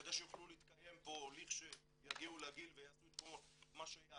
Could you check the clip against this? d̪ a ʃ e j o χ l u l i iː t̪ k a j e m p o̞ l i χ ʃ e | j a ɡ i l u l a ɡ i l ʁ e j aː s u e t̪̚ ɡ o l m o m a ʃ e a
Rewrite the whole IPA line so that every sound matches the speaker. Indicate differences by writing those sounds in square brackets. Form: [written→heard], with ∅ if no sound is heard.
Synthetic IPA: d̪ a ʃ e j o χ l u l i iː t̪ k a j e m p o̞ l i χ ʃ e | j a ɡ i [l→∅] u l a ɡ i l [ʁ→v] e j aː s u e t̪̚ [ɡ→k] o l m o m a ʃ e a